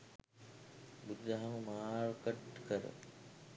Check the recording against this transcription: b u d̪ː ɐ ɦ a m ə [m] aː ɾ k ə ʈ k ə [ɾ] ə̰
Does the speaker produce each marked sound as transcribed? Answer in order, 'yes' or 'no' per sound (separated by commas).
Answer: yes, yes